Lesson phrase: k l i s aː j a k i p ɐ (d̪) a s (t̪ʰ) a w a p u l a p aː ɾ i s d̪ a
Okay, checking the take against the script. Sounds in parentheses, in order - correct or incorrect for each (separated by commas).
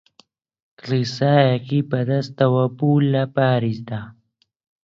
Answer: correct, incorrect